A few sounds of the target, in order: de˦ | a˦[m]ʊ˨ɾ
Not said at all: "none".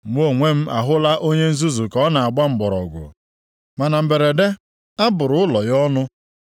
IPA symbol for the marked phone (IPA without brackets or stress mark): b